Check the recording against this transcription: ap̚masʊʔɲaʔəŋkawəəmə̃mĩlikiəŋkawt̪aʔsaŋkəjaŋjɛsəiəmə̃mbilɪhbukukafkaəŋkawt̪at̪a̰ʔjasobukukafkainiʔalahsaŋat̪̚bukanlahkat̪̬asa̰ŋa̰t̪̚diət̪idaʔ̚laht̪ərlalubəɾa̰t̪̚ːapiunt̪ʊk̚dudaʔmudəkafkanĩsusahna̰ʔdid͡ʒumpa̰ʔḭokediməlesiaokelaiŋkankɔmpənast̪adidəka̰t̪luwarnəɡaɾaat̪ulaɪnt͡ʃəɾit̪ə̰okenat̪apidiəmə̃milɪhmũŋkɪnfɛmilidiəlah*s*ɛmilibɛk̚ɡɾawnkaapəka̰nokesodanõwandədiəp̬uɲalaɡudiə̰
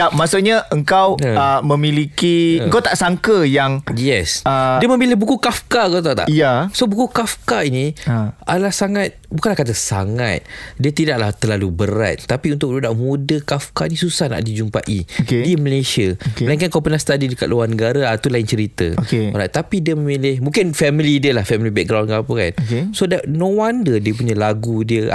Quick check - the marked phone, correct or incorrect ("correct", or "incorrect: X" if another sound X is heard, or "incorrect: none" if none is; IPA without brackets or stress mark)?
incorrect: f